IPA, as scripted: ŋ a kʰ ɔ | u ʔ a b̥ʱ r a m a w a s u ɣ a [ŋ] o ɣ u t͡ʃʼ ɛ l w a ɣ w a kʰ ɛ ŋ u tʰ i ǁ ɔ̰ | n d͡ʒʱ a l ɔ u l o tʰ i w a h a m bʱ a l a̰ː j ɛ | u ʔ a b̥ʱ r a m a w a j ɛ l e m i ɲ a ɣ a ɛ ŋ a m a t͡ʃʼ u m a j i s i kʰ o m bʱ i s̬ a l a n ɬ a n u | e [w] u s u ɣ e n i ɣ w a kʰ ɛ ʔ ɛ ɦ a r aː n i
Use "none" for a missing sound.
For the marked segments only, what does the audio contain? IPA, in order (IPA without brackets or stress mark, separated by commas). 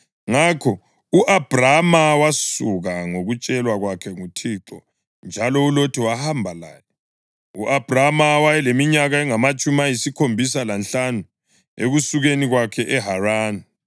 ŋ, ɣ